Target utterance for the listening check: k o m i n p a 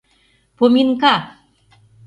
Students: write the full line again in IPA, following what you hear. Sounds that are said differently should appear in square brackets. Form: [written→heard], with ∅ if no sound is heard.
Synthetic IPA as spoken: [k→p] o m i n [p→k] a